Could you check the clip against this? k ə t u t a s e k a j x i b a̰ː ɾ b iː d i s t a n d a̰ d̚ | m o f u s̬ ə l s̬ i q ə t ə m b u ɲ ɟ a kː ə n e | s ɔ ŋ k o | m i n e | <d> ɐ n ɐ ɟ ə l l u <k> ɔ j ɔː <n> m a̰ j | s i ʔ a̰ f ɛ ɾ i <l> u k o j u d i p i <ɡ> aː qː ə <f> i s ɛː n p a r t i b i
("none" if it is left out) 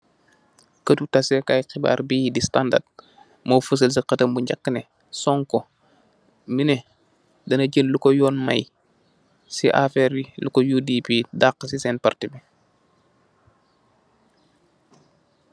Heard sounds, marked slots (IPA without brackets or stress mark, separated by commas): d, k, n, l, d, s